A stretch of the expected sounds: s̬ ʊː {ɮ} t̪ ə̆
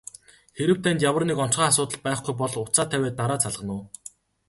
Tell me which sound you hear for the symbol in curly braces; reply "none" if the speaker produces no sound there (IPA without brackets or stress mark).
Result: none